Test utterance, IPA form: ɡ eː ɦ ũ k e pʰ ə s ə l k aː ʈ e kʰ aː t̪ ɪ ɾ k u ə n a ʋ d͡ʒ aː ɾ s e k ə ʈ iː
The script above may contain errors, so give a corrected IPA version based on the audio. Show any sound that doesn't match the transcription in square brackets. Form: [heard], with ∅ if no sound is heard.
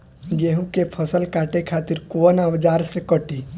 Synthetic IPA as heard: ɡ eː ɦ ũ k e pʰ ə s ə l k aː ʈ e kʰ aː t̪ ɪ ɾ k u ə n a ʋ d͡ʒ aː ɾ s e k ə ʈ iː